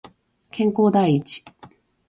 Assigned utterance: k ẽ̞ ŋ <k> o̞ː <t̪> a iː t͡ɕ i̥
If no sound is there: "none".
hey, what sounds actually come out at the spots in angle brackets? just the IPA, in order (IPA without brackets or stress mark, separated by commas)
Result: k, d̪